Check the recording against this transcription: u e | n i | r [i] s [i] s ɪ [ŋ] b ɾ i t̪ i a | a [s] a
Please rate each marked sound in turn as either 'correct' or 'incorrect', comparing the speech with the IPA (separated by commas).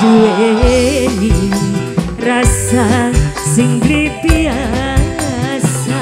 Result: incorrect, incorrect, correct, correct